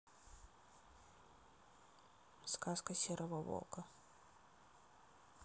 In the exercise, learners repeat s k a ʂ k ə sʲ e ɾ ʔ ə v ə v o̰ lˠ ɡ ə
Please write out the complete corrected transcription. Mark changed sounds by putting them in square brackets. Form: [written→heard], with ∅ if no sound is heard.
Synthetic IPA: s k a [ʂ→s] k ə sʲ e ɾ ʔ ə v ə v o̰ lˠ [ɡ→k] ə